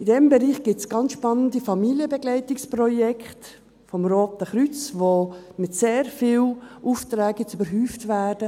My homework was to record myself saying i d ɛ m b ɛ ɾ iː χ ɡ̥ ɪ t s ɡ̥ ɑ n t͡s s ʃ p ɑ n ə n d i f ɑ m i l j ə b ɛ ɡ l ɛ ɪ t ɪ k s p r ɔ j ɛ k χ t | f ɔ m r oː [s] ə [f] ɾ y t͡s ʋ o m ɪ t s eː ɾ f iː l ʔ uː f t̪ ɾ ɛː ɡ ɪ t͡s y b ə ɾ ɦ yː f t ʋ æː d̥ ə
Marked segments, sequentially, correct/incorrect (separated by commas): incorrect, incorrect